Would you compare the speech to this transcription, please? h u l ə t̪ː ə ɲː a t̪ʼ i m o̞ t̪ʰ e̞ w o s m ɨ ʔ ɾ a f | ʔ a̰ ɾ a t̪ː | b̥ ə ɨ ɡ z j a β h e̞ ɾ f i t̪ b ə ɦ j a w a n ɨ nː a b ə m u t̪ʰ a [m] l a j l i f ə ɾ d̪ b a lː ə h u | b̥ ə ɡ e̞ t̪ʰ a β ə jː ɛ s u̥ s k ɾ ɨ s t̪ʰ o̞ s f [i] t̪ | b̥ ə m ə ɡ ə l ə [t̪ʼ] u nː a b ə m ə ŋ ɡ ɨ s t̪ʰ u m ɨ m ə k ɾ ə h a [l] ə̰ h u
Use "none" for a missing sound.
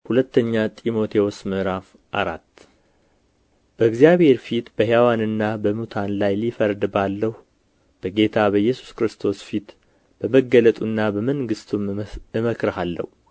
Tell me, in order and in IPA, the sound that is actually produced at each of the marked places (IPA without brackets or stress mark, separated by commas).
n, i, t̪ʼ, lː